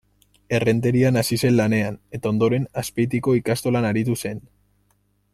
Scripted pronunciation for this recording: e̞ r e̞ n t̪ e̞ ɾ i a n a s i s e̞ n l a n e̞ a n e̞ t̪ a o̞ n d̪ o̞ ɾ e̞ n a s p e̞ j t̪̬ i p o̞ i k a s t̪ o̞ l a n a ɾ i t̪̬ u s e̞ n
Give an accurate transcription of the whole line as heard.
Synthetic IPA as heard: e̞ r e̞ n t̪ e̞ ɾ i a n a s i s e̞ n l a n e̞ a n e̞ t̪ a o̞ n d̪ o̞ ɾ e̞ n a s p e̞ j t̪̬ i k o̞ i k a s t̪ o̞ l a n a ɾ i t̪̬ u s e̞ n